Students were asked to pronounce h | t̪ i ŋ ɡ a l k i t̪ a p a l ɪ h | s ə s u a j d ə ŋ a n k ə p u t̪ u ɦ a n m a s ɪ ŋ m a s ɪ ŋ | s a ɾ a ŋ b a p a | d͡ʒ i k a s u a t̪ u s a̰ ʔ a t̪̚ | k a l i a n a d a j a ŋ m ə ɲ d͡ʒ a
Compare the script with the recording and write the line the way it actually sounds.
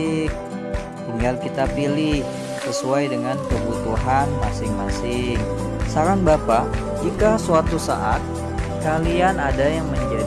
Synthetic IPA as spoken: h | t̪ i ŋ ɡ a l k i t̪ a p i l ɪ h | s ə s u a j d ə ŋ a n k ə b u t̪ u ɦ a n m a s ɪ ŋ m a s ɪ ŋ | s a ɾ a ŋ b a p a | d͡ʒ i k a s u a t̪ u s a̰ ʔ a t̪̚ | k a l i a n a d a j a ŋ m ə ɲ d͡ʒ a